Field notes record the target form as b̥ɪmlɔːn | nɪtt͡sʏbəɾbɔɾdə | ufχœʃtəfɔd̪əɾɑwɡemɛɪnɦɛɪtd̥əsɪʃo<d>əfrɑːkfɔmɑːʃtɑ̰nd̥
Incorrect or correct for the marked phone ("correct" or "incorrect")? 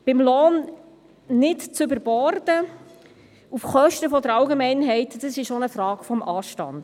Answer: incorrect